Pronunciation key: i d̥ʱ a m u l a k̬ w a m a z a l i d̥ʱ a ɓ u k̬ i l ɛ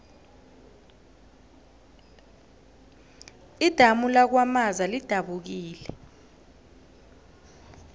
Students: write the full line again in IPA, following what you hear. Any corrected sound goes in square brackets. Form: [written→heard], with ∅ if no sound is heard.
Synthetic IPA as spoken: i d̥ʱ a m u l a k̬ w a m a z a l i d̥ʱ a ɓ u k̬ [i→iː] l ɛ